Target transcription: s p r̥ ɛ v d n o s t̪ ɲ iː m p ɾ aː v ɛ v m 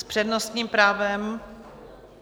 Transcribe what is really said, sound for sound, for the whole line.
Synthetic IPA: s p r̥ ɛ d n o s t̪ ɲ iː m p ɾ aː v ɛ m